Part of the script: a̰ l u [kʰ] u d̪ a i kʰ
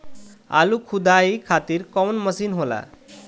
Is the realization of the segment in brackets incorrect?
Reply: no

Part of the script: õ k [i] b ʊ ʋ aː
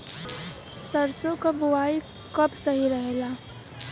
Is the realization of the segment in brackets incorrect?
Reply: yes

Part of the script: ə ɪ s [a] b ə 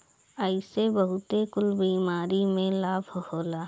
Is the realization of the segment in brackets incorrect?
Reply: yes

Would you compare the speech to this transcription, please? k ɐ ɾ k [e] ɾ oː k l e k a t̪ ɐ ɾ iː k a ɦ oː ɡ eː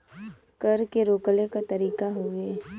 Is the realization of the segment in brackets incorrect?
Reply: no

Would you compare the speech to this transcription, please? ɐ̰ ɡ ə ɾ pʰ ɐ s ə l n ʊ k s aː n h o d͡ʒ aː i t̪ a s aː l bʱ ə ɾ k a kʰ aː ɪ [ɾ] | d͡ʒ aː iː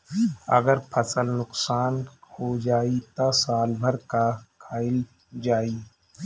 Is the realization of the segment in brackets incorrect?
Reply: yes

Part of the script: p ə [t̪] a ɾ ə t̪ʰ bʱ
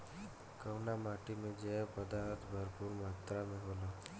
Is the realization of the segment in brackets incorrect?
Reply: yes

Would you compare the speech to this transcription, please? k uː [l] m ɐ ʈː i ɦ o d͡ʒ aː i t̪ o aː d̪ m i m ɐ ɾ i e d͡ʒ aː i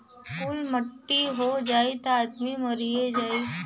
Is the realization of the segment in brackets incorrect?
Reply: no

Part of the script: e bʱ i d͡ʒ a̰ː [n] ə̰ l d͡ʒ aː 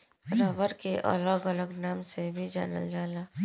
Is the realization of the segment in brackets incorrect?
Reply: no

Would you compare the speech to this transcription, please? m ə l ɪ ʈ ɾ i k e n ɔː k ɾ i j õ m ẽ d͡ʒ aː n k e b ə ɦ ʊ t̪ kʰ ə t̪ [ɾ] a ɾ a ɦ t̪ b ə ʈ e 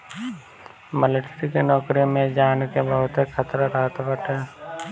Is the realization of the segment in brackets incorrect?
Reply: no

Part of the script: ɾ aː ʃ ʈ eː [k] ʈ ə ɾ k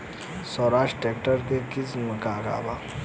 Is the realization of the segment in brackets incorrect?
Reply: no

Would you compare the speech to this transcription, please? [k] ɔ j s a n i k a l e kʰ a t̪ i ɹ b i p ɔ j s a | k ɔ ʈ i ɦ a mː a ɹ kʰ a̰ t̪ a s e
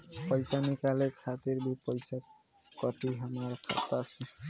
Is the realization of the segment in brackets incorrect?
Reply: yes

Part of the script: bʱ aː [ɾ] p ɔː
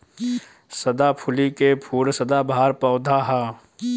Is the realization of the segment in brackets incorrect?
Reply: no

